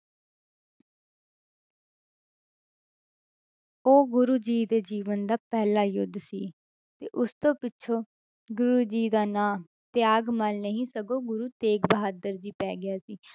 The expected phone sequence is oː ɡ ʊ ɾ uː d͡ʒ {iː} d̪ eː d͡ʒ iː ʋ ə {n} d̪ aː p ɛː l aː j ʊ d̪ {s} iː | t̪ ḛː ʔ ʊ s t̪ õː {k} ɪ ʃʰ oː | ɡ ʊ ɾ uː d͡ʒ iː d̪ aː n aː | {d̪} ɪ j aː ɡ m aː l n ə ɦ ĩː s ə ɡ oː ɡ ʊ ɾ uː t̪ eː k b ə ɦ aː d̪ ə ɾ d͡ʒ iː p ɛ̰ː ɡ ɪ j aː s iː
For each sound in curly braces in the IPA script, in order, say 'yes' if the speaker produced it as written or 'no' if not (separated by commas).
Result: yes, yes, yes, no, no